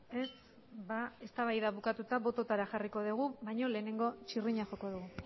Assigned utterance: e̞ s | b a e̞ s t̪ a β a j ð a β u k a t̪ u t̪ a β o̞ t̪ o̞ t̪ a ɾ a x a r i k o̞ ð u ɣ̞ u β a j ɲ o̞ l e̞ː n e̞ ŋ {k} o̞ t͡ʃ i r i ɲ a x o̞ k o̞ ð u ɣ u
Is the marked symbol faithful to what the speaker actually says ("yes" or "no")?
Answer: no